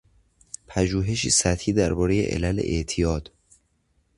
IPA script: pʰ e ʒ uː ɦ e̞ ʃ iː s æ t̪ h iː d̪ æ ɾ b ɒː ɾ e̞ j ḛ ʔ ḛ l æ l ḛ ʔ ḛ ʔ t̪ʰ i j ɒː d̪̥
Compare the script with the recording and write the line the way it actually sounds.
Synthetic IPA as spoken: pʰ æ ʒ uː ɦ e̞ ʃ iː s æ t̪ h iː d̪ æ ɾ b ɒː ɾ e̞ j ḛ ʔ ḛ l æ l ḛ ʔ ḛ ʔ t̪ʰ i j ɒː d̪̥